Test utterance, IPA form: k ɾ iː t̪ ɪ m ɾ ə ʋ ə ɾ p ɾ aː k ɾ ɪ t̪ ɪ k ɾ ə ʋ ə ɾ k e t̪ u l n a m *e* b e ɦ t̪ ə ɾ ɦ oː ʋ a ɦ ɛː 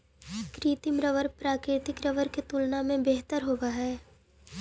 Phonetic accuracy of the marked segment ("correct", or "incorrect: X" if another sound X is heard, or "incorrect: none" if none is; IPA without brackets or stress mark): incorrect: ẽ